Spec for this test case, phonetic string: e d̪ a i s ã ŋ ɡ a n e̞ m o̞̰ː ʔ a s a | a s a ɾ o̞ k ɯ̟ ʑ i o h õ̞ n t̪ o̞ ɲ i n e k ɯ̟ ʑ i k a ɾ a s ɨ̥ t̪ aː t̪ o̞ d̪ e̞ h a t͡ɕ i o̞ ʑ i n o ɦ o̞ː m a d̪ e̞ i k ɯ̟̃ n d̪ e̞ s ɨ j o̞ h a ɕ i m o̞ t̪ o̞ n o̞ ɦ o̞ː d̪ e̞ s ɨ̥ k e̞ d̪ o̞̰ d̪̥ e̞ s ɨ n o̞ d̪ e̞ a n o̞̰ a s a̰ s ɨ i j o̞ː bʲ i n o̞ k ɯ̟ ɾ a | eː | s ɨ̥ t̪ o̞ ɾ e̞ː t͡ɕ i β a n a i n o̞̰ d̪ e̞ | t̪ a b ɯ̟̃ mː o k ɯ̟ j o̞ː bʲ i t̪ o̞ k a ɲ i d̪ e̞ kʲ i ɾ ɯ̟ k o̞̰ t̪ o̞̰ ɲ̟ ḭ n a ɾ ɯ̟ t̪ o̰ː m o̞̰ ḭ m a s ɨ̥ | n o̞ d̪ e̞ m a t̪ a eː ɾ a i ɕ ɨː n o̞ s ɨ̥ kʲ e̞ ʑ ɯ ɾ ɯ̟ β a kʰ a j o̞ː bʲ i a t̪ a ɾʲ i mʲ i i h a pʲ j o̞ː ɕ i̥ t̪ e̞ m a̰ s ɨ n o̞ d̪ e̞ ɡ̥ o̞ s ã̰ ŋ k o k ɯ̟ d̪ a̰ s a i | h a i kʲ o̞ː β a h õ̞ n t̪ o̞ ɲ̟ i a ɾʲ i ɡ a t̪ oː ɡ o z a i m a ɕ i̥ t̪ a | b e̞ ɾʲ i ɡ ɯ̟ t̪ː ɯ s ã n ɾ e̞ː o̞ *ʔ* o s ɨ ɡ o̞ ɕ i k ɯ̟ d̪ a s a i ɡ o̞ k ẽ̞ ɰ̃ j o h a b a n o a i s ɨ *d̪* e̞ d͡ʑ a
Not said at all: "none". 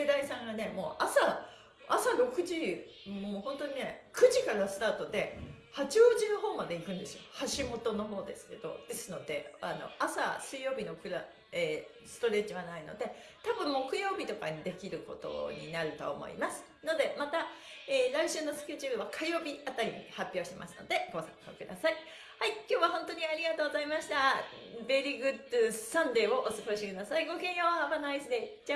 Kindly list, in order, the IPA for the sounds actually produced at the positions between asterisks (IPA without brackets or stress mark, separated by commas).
ʔ, d̪